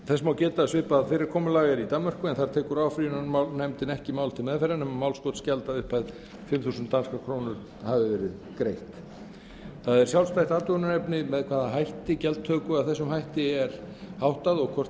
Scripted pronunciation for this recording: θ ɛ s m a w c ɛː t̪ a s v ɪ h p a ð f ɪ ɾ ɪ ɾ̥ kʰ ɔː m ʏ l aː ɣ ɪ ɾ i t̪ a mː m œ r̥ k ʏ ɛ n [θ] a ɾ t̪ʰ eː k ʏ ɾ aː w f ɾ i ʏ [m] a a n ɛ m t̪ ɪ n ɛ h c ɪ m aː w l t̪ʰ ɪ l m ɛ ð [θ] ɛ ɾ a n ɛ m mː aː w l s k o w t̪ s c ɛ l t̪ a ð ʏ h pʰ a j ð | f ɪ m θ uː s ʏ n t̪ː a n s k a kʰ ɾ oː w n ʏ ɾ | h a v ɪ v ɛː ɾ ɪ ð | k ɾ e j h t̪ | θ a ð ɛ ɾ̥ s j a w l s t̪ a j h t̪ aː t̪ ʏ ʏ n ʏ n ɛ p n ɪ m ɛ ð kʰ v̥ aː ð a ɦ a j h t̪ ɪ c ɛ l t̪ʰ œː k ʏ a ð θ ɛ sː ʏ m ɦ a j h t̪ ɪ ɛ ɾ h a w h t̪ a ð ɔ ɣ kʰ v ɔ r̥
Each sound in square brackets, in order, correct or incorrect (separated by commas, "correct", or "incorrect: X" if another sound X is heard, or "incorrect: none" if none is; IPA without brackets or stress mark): correct, incorrect: n, incorrect: f